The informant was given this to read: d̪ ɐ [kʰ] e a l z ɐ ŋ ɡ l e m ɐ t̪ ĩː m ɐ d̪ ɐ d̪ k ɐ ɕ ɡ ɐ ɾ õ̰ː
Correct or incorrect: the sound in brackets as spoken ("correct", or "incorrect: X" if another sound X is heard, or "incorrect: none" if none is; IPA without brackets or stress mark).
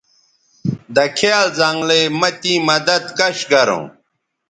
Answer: correct